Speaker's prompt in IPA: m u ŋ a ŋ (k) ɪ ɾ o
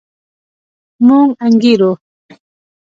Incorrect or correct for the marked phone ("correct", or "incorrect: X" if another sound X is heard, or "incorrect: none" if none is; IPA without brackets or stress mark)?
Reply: incorrect: ɡ